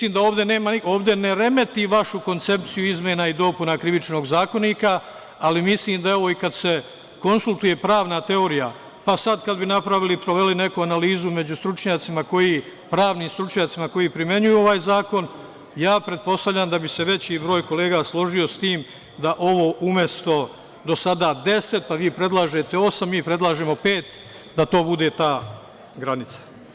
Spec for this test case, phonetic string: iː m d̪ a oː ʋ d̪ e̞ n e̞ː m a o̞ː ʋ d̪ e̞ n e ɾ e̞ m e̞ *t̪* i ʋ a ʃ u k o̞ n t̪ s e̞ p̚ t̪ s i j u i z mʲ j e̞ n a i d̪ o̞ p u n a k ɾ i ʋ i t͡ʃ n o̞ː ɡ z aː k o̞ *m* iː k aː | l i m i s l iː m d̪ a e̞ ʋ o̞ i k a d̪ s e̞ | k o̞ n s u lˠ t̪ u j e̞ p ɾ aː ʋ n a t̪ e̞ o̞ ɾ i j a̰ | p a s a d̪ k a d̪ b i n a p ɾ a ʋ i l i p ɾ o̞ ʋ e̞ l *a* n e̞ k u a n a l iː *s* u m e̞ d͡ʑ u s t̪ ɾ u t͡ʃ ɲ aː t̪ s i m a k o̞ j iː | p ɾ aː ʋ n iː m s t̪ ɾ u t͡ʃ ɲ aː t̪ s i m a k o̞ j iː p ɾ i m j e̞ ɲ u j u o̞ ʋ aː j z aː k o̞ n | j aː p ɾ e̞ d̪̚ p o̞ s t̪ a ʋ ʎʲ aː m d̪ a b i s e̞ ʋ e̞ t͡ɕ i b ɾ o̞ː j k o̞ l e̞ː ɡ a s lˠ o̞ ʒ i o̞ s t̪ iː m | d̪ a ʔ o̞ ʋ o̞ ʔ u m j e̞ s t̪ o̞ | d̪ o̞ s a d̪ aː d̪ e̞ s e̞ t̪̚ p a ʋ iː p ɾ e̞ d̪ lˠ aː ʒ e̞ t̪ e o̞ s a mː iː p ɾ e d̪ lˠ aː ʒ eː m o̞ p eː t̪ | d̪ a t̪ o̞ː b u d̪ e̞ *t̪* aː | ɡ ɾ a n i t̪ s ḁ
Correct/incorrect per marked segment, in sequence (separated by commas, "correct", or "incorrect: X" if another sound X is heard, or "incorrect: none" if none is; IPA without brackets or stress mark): correct, incorrect: n, incorrect: i, incorrect: z, correct